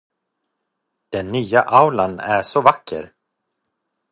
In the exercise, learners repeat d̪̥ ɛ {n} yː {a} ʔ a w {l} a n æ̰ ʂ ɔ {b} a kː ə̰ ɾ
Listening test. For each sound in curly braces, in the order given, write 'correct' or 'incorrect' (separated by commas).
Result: incorrect, correct, correct, incorrect